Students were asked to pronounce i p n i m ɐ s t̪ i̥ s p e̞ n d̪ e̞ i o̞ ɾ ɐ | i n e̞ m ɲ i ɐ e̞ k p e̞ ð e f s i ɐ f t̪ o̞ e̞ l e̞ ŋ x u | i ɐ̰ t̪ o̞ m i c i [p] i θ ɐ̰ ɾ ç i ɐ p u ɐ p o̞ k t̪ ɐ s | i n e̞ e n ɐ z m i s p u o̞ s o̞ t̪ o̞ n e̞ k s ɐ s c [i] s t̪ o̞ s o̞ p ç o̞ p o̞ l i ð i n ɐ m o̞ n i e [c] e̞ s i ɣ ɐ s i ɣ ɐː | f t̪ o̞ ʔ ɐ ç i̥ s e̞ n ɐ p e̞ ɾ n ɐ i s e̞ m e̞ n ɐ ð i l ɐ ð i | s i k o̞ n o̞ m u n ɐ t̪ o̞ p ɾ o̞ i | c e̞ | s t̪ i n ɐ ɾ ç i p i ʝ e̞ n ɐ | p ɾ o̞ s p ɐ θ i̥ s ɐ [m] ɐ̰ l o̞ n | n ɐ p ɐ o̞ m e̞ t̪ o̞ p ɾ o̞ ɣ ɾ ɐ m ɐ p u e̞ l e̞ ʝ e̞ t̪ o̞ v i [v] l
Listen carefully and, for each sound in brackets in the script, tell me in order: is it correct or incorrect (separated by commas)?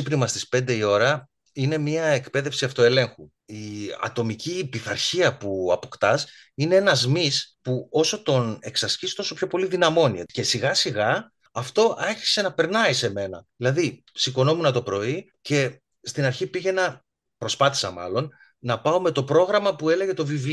correct, correct, correct, correct, correct